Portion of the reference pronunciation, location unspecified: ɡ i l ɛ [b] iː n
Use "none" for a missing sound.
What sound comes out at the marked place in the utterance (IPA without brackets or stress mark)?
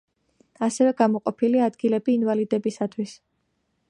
b